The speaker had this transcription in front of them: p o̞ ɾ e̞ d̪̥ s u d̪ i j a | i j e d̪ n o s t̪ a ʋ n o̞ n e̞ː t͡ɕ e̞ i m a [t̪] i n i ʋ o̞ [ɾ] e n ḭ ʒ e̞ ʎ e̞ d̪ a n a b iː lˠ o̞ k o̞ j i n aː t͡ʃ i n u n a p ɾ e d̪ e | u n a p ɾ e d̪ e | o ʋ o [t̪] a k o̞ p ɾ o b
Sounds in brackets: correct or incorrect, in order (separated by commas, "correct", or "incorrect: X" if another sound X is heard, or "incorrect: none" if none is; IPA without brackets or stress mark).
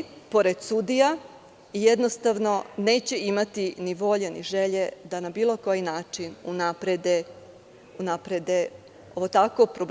correct, incorrect: ʎ, correct